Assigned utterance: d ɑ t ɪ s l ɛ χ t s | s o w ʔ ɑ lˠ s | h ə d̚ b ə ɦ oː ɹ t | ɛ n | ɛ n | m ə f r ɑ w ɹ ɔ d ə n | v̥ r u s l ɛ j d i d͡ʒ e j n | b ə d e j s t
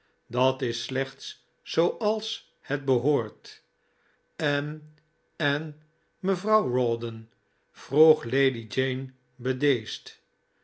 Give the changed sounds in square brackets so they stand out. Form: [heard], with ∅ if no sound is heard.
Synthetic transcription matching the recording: d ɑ t ɪ s l ɛ χ t s | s o w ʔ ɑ lˠ s | h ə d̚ b ə ɦ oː ɹ t | ɛ n | ɛ n | m ə [v] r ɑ w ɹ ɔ d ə n | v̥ r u [χ] l [e] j d i d͡ʒ e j n | b ə d e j s t